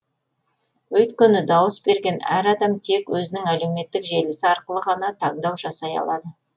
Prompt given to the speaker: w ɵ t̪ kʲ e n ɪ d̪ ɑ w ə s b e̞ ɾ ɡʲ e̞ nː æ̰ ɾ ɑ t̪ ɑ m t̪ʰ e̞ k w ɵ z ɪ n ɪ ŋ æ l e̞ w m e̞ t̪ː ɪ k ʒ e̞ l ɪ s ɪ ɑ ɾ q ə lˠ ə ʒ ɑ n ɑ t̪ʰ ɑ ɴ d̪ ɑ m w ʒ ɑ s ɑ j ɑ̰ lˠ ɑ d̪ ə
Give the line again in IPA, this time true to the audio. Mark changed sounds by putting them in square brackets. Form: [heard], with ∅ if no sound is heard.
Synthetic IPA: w ɵ t̪ kʲ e n ɪ d̪ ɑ w ə s b e̞ ɾ ɡʲ e̞ [n] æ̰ ɾ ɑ [d̪] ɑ m t̪ʰ e̞ k w ɵ z ɪ n ɪ ŋ æ l e̞ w m e̞ t̪ː ɪ k ʒ e̞ l ɪ s ɪ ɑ ɾ q ə lˠ ə [ʁ] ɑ n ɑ t̪ʰ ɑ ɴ d̪ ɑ [∅] w ʒ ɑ s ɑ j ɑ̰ lˠ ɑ d̪ ə